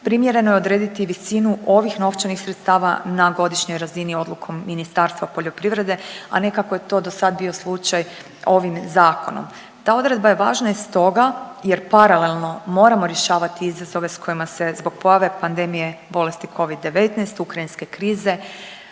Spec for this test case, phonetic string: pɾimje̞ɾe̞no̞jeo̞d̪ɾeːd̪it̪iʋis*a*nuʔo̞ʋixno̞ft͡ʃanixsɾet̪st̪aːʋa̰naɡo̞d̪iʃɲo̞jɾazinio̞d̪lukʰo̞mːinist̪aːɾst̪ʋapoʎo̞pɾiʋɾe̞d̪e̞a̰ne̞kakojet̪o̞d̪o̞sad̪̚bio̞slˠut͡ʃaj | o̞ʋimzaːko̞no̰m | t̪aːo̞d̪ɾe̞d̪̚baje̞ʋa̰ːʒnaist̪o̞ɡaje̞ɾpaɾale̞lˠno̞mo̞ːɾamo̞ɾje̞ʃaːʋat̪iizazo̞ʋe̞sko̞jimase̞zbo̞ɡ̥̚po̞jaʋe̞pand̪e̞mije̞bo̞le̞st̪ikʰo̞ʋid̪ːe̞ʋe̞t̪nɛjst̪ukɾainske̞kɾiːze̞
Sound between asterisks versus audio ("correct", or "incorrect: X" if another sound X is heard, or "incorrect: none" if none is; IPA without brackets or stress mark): incorrect: i